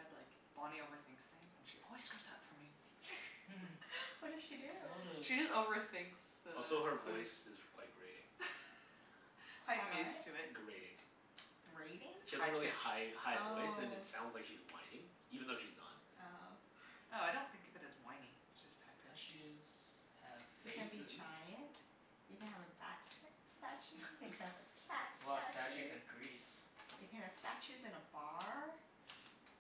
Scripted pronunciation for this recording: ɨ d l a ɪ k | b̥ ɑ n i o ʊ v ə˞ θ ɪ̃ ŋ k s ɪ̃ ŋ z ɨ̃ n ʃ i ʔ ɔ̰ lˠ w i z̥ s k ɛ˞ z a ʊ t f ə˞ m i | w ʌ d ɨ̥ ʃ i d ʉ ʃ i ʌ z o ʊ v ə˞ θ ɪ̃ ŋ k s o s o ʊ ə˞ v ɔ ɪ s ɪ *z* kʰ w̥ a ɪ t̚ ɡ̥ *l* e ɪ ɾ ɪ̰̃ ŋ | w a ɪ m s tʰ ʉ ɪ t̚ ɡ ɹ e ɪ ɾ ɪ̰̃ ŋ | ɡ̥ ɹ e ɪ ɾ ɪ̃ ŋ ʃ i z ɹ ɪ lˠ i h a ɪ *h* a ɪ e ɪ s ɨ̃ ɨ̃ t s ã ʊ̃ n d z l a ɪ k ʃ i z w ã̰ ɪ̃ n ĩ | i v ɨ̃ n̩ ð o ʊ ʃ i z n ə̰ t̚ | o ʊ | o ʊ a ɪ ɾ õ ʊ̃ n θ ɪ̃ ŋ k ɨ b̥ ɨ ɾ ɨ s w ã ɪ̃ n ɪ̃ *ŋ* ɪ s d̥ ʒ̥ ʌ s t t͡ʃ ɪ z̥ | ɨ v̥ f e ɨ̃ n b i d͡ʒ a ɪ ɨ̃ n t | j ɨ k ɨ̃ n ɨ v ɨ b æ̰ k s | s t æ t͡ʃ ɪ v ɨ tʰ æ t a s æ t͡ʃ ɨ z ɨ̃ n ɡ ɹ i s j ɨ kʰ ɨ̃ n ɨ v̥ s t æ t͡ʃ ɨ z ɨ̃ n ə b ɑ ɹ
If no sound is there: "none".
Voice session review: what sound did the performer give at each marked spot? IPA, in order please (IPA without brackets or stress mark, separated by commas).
z, ɹ, h, ŋ